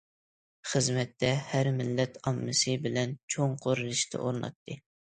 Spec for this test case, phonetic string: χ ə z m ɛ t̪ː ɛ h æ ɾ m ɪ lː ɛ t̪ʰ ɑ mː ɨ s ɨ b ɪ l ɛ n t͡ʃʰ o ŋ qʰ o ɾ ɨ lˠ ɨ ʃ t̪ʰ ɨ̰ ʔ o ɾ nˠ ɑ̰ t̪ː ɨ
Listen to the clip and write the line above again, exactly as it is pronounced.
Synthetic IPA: χ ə z m ɛ t̪ː ɛ h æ ɾ m ɪ lː ɛ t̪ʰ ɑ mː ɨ s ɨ b ɪ l ɛ n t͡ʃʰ o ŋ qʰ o ɾ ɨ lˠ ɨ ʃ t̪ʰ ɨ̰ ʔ o ɾ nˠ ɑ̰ t̪ː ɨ